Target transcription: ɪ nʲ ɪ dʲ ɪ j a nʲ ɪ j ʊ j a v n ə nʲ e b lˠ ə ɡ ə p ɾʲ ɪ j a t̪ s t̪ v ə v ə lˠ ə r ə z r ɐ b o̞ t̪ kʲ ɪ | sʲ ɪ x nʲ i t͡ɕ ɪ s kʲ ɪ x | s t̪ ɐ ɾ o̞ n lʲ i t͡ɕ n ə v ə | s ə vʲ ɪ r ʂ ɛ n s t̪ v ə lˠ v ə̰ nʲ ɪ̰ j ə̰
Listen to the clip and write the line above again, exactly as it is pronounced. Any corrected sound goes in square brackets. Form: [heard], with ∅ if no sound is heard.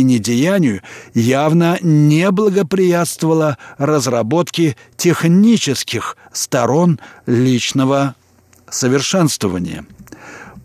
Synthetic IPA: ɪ nʲ ɪ dʲ ɪ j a nʲ ɪ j ʊ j a v n ə nʲ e b lˠ ə ɡ ə p ɾʲ ɪ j a t̪ s t̪ v ə v ə lˠ ə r ə z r ɐ b o̞ t̪ kʲ ɪ | [tʲ] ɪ x nʲ i t͡ɕ ɪ s kʲ ɪ x | s t̪ ɐ ɾ o̞ n lʲ i t͡ɕ n ə v ə | s ə vʲ ɪ r ʂ ɛ n s t̪ v ə [∅] v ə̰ nʲ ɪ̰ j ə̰